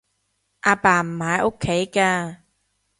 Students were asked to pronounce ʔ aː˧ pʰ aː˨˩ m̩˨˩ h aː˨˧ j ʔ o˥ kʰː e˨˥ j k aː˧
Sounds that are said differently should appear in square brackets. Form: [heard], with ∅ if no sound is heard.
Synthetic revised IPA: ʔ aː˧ [p] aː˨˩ m̩˨˩ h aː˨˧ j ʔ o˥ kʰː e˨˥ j k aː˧